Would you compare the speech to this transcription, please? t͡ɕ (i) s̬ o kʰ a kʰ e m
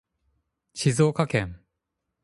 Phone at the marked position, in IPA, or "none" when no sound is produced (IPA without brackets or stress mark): i